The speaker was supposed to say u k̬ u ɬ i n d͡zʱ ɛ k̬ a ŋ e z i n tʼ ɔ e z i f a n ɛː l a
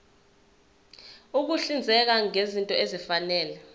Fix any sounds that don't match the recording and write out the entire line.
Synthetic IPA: u k̬ u ɬ i n d͡zʱ ɛ k̬ a ŋ e z i n tʼ ɔ e z i f a n ɛː l ɛ